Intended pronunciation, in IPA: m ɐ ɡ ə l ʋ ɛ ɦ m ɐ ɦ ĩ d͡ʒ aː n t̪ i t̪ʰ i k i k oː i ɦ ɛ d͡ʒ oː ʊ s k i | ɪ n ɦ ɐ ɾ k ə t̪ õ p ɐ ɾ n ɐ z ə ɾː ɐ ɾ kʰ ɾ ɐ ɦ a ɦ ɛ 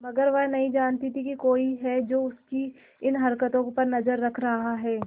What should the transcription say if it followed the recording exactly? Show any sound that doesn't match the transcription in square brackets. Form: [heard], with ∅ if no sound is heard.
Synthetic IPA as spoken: m ɐ ɡ ə [ɾ] ʋ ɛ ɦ [n] ɐ ɦ ĩ d͡ʒ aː n t̪ i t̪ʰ i k i k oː i ɦ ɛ d͡ʒ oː ʊ s k i | ɪ n ɦ ɐ ɾ k ə t̪ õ p ɐ ɾ n ɐ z ə ɾː ɐ [∅] kʰ ɾ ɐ ɦ a ɦ [ɛː]